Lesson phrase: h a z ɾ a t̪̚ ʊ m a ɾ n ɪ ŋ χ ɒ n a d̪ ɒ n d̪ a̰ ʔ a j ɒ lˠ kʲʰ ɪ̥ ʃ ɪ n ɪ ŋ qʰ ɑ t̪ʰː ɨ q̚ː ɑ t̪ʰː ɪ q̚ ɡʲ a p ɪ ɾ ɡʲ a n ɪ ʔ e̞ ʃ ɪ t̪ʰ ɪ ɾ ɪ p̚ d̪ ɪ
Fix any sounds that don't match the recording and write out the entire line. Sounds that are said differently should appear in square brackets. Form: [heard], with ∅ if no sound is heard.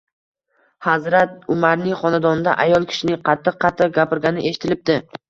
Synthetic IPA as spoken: h a z ɾ a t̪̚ ʊ m a ɾ n ɪ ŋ χ ɒ n a d̪ ɒ n d̪ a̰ ʔ a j ɒ lˠ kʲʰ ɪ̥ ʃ ɪ n ɪ ŋ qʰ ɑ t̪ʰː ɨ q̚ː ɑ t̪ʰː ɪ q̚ ɡʲ a p ɪ ɾ ɡʲ a n ɪ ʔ e̞ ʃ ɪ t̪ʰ ɪ [l] ɪ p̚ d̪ ɪ